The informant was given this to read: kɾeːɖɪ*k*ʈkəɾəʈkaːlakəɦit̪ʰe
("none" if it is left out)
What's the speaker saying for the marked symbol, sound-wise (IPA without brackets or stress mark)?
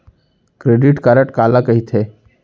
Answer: none